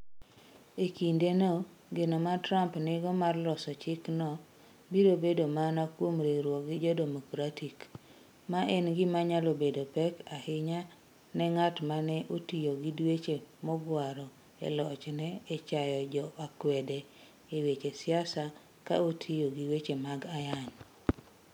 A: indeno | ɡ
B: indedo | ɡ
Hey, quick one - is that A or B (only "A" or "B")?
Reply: A